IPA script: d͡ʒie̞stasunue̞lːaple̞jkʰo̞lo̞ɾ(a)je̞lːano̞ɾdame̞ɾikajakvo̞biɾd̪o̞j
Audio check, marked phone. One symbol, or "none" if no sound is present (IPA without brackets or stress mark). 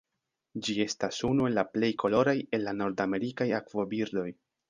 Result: a